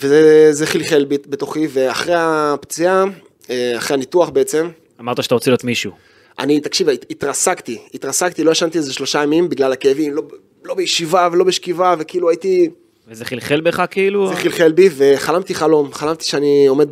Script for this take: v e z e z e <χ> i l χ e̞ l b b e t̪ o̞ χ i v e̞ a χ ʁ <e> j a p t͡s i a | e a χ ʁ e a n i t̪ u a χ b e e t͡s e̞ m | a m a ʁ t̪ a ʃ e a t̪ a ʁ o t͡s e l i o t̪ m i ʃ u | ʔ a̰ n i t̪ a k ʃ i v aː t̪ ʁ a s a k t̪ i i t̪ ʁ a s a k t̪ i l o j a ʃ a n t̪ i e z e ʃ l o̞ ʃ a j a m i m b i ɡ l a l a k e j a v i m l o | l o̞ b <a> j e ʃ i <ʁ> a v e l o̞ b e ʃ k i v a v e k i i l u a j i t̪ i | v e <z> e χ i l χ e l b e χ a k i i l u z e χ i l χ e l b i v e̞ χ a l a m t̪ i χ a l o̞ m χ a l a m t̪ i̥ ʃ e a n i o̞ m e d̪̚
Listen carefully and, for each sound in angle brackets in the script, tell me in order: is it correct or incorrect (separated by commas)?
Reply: correct, correct, incorrect, incorrect, correct